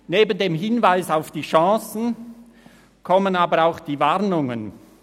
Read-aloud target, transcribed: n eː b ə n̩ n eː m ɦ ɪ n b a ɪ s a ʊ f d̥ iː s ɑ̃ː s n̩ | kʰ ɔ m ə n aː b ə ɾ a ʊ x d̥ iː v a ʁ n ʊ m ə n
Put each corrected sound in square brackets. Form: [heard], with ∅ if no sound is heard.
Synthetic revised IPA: n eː b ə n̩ [d] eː m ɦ ɪ n [v] a ɪ s a ʊ f d̥ iː [ʃ] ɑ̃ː s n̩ | kʰ ɔ m ə n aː b ə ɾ a ʊ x d̥ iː v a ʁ n ʊ [ŋ] ə n